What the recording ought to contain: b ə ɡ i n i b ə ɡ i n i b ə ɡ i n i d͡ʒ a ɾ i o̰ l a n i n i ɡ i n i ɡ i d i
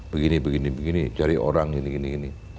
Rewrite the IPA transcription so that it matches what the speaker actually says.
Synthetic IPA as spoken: b ə ɡ i n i b ə ɡ i n i b ə ɡ i n i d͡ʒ a ɾ i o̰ ɾ a ŋ i n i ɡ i n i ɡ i n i